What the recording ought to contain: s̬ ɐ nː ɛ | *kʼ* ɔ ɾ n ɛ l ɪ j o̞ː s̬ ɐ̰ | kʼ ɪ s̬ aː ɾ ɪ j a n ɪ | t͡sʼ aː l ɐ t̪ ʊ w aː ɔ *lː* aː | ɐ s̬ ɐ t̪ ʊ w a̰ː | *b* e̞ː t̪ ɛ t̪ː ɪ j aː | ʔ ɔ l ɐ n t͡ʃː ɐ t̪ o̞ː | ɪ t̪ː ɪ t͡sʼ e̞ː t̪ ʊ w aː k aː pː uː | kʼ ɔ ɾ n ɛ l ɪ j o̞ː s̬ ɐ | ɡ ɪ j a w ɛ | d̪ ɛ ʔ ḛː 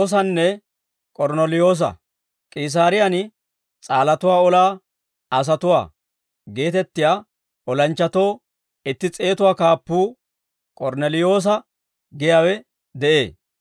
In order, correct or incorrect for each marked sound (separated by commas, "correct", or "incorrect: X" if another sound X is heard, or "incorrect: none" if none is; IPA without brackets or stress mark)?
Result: correct, incorrect: l, incorrect: ɡ